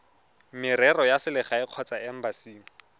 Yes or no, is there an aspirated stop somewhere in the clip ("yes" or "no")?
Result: yes